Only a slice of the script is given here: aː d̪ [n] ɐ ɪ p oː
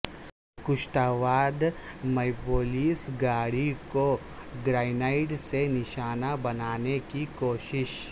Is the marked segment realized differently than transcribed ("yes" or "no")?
yes